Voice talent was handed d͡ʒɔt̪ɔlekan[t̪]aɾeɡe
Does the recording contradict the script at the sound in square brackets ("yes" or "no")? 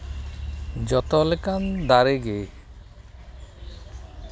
yes